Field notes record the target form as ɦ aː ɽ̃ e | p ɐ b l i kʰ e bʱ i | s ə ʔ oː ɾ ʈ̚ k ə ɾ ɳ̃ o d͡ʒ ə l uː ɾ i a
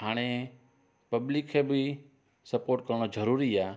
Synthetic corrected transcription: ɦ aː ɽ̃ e | p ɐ b l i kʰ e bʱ i | s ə p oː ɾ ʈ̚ k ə ɾ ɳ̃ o d͡ʒ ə ɾ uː ɾ i a